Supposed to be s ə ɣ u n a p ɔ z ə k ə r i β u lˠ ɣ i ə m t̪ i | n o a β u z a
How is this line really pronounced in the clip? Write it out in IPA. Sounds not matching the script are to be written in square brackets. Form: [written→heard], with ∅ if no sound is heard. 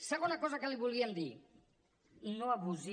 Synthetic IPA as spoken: s ə ɣ [u→o] n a [p→k] ɔ z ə k ə [r→l] i β u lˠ ɣ i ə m [t̪→d̪] i | n o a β u z [a→i]